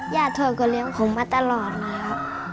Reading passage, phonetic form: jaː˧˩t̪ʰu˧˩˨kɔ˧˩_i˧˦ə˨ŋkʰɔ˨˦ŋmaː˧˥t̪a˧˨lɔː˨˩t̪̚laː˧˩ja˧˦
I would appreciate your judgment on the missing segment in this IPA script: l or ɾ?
l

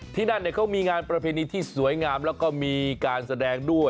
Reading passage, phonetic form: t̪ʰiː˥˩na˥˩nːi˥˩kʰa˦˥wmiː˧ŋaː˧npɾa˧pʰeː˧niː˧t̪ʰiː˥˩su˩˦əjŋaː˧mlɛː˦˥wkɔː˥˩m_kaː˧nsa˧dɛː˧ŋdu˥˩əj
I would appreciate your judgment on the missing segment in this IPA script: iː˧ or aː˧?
iː˧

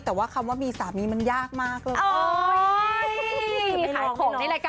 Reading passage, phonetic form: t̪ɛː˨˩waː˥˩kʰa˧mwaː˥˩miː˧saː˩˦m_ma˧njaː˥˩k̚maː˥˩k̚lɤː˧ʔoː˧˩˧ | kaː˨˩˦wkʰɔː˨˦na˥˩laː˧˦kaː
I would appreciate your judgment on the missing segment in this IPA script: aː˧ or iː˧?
iː˧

